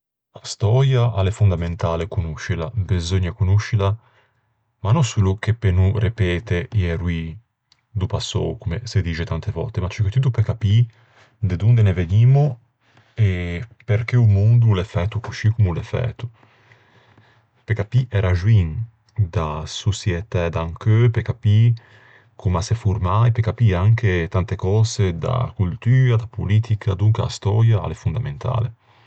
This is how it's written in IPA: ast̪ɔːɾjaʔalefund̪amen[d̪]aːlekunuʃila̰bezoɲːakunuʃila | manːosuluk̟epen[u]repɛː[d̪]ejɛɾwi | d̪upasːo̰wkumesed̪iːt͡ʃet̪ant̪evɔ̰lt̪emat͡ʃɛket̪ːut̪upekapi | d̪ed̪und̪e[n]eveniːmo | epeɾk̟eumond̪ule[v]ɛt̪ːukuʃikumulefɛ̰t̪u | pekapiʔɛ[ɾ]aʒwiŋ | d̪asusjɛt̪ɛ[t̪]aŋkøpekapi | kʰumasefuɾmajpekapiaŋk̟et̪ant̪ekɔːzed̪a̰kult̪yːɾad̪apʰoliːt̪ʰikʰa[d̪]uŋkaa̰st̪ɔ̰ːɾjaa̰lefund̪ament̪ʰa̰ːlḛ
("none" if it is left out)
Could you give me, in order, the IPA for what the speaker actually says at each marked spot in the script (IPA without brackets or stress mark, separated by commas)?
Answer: t̪, u, t̪, n, f, ɾ, d̪, d̪